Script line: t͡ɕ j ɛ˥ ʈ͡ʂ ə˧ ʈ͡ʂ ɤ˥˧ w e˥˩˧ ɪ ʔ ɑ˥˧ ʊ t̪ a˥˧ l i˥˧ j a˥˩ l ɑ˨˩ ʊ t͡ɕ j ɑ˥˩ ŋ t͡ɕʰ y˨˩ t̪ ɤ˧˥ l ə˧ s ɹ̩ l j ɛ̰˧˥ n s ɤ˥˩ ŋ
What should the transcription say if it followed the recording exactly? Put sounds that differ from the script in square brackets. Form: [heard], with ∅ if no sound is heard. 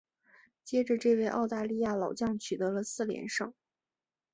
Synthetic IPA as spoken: t͡ɕ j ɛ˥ ʈ͡ʂ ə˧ ʈ͡ʂ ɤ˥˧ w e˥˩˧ ɪ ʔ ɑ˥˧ ʊ t̪ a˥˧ l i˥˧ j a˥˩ l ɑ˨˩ ʊ t͡ɕ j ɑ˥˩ ŋ t͡ɕʰ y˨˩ t̪ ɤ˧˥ l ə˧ s ɹ̩ l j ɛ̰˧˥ n [ʂ] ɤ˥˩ ŋ